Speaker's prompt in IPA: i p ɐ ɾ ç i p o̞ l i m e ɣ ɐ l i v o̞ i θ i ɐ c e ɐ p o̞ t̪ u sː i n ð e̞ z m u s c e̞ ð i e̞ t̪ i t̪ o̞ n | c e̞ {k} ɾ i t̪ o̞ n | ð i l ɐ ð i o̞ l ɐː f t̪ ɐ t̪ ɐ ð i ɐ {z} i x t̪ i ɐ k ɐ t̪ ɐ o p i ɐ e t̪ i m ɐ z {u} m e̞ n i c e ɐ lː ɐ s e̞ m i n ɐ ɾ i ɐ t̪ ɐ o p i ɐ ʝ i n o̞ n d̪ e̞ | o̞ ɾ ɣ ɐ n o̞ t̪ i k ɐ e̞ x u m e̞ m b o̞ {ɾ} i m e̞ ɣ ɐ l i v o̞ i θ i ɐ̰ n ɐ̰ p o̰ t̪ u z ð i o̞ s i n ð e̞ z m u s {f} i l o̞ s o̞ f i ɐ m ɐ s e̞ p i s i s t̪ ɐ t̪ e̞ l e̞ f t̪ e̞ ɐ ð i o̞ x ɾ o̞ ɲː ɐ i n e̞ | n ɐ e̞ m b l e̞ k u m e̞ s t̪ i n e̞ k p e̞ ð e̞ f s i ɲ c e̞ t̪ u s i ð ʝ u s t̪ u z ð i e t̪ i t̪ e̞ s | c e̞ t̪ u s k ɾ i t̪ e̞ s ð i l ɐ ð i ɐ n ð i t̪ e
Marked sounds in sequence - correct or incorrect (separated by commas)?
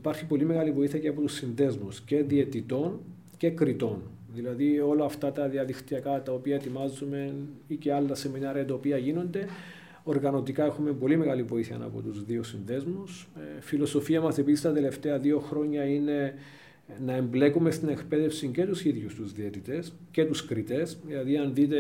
correct, incorrect, correct, incorrect, correct